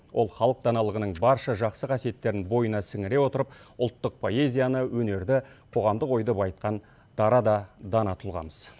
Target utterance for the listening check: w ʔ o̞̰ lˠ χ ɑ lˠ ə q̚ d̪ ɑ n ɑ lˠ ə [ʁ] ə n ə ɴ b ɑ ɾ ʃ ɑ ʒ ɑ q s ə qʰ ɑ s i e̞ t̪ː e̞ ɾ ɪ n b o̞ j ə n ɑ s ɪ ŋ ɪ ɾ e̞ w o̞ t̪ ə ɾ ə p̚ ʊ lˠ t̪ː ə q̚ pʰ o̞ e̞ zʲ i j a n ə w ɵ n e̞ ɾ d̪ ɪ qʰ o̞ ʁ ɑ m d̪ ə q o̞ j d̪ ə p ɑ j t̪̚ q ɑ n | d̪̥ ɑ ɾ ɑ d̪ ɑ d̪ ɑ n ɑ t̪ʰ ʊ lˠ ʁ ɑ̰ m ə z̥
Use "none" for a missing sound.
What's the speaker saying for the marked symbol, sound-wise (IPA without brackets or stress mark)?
ʁ